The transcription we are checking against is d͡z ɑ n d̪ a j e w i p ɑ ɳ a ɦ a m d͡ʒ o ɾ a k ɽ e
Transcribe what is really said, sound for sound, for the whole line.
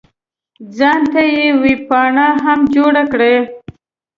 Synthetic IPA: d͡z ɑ n t̪ a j e w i p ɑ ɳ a ɦ a m d͡ʒ o ɽ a k ɽ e